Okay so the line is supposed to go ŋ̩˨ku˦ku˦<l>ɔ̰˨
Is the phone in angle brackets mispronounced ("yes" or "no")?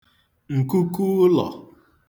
no